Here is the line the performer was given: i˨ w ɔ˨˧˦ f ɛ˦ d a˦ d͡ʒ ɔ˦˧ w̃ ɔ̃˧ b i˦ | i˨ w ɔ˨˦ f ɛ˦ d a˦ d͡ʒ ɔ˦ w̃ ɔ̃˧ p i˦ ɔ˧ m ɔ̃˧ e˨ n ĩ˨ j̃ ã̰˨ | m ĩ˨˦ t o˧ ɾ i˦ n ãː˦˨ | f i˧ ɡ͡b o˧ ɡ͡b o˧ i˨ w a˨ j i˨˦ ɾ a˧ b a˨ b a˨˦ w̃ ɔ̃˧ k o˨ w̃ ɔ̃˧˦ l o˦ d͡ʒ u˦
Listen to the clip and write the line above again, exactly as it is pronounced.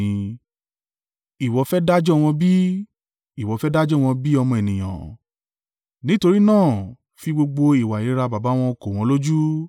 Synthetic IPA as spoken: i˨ w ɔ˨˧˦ f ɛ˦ d a˦ d͡ʒ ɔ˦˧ w̃ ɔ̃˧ b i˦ | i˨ w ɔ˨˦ f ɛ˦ d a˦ d͡ʒ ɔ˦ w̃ ɔ̃˧ b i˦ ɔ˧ m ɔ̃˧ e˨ n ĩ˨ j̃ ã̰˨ | n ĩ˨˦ t o˧ ɾ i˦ n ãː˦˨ | f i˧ ɡ͡b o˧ ɡ͡b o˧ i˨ w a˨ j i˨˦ ɾ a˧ b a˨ b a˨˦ w̃ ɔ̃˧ k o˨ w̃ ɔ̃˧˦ l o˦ d͡ʒ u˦

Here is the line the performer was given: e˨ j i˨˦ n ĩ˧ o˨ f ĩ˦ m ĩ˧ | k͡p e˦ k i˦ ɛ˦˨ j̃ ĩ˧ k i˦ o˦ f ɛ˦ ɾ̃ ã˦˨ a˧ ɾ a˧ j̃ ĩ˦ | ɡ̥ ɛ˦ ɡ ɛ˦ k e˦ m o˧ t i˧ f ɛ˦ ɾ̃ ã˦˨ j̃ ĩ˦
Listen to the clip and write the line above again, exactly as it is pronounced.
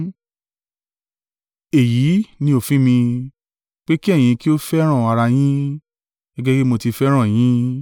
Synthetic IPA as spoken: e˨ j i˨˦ n ĩ˧ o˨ f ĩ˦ m ĩ˧ | k͡p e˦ k i˦ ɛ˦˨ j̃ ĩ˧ k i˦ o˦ f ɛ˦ ɾ̃ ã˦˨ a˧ ɾ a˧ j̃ ĩ˦ | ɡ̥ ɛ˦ ɡ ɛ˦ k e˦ m o˧ t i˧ f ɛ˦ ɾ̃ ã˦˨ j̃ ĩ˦

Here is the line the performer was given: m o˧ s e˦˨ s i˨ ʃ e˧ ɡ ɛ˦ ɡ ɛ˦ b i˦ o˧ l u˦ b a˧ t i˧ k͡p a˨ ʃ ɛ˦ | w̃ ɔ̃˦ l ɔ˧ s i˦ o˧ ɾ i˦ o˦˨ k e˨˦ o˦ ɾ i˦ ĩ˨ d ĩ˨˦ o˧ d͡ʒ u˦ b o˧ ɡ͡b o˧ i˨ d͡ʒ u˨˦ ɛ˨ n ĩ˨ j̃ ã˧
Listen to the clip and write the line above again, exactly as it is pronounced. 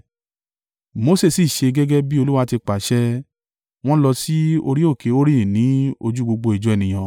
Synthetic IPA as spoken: m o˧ s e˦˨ s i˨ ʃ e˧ ɡ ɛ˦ ɡ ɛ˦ b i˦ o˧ l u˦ w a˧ t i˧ k͡p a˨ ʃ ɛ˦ | w̃ ɔ̃˦ l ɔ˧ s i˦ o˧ ɾ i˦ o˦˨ k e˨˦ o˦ ɾ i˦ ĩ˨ n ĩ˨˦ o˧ d͡ʒ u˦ ɡ͡b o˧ ɡ͡b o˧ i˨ d͡ʒ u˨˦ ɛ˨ n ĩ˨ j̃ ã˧

